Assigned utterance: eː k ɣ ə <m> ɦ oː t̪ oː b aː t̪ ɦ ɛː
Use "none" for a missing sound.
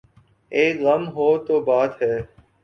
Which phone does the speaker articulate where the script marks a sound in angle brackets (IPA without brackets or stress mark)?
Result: m